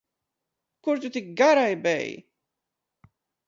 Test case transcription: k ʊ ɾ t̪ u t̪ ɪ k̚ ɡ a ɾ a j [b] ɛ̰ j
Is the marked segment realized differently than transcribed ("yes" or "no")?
no